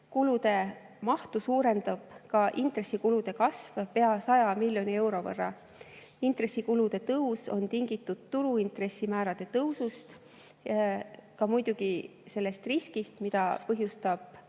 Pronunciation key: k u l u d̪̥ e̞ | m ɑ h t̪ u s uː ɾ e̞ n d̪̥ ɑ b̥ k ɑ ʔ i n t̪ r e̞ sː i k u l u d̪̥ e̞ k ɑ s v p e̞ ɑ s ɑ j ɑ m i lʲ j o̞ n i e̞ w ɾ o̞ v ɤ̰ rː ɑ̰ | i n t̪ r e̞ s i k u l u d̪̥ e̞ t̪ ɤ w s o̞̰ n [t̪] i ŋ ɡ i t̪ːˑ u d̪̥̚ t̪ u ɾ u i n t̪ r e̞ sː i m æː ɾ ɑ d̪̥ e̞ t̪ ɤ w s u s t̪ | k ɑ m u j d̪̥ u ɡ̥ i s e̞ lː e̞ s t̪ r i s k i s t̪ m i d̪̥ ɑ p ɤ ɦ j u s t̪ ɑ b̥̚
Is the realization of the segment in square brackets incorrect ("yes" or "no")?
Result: no